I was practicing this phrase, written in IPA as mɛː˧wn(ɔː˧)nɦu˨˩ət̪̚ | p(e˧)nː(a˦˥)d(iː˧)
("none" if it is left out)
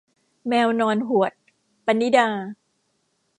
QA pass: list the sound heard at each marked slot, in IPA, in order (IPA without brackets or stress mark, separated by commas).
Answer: ɔː˧, a˧, i˦˥, aː˧